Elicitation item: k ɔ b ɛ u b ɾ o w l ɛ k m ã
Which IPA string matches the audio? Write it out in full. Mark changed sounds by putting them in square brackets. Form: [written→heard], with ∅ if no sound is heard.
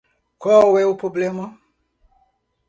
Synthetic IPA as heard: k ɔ [b→w] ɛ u [b→p] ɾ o [w→b] l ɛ [k→∅] m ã